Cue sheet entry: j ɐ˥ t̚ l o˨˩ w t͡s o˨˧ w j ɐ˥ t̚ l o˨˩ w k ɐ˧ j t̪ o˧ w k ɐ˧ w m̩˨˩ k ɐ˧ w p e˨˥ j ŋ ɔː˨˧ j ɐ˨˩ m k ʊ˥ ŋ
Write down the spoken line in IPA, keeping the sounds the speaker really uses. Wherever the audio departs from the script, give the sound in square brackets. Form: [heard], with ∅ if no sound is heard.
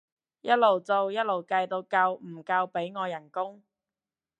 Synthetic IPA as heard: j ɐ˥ t̚ l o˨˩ w t͡s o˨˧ w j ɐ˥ t̚ l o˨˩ w k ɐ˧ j t̪ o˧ w k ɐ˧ w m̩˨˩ k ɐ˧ w p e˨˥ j ŋ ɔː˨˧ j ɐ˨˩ [n] k ʊ˥ ŋ